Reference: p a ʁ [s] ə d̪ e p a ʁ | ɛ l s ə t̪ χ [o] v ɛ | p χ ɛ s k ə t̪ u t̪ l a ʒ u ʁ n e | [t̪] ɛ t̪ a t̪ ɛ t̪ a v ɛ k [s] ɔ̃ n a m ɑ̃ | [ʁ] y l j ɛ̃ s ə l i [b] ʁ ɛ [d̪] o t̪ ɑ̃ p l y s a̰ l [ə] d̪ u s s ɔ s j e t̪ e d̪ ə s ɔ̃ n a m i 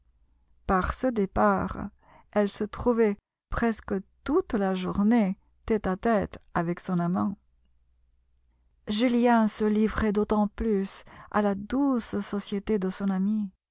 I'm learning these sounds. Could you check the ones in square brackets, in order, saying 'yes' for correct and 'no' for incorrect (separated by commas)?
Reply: yes, no, yes, yes, no, no, yes, no